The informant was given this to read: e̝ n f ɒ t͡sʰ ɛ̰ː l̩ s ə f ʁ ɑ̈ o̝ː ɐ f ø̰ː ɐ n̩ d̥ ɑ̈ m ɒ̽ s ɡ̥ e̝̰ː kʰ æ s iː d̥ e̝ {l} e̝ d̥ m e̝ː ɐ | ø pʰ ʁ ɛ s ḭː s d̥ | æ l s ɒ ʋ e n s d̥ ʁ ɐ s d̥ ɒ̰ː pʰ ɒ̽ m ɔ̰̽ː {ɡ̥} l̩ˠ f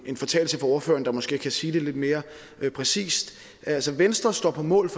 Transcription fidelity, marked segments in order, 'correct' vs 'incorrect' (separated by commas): correct, incorrect